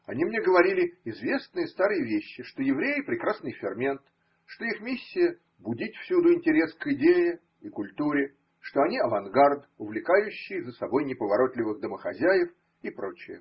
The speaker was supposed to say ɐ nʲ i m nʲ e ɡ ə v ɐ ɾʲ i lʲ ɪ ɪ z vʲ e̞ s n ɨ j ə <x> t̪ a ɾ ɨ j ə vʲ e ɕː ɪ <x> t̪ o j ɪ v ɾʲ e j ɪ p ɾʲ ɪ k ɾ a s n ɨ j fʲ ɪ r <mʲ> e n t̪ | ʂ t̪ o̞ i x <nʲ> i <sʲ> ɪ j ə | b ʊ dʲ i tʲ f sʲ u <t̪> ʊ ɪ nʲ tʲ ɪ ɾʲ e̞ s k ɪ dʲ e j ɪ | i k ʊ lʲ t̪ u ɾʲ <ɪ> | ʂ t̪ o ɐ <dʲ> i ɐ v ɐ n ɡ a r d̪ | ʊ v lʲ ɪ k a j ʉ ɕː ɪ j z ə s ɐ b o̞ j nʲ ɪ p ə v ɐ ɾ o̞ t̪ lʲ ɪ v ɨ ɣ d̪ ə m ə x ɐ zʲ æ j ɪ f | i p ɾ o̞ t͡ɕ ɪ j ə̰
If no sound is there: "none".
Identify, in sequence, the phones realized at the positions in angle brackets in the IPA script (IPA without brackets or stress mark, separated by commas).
s, ʂ, mʲ, mʲ, sʲː, d̪, ɪ, nʲ